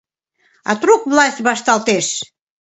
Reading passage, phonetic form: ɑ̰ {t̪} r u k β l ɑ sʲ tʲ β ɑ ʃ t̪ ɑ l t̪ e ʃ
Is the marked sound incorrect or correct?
correct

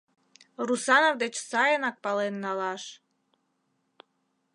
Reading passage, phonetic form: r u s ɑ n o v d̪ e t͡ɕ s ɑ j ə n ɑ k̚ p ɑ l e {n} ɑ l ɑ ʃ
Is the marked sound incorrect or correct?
incorrect: nː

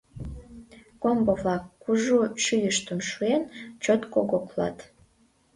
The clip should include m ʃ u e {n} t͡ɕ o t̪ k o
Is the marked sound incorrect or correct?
correct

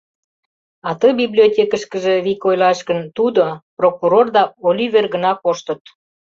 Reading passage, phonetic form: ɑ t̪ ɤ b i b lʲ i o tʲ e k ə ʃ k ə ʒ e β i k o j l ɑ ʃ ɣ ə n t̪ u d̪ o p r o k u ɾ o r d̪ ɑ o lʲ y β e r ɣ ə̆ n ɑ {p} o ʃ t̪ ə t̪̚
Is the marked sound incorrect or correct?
incorrect: k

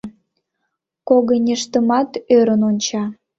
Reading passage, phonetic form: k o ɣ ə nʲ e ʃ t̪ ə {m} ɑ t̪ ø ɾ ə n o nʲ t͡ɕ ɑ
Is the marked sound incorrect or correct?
correct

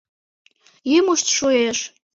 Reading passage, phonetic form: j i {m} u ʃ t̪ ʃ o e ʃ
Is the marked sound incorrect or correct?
correct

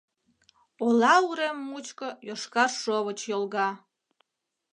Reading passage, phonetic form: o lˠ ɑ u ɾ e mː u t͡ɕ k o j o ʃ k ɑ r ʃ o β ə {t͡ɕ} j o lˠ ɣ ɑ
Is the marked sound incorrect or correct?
correct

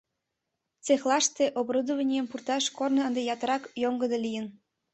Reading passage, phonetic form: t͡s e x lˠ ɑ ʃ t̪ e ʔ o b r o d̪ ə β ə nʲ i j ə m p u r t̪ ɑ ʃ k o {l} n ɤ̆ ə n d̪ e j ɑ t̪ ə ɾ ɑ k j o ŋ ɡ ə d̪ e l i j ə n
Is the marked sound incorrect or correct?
incorrect: r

